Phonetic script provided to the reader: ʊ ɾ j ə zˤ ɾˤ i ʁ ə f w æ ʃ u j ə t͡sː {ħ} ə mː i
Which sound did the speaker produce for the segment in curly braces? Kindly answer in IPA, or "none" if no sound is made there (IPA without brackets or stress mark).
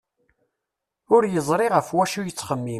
χ